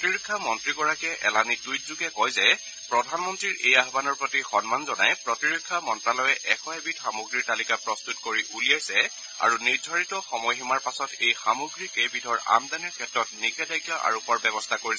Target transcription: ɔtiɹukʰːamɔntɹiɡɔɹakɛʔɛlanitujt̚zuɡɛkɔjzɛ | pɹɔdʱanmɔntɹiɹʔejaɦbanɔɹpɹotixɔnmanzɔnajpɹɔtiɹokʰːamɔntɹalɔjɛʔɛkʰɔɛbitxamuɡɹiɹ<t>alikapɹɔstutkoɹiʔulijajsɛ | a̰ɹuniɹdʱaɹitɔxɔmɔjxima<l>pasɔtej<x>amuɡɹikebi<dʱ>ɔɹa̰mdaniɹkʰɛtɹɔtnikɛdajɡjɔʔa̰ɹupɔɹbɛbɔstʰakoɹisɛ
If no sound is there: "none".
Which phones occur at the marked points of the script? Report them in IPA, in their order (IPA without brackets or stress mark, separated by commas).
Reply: t, ɹ, x, dʱ